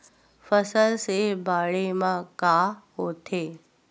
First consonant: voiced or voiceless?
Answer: voiceless